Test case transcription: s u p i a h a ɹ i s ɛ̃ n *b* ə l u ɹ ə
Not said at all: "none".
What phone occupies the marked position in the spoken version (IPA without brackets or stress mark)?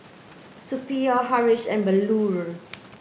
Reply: b